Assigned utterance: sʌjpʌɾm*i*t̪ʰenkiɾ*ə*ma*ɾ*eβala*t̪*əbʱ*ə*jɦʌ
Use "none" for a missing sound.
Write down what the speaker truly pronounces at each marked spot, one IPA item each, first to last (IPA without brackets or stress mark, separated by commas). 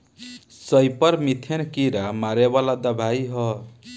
i, a, ɾ, d̪, a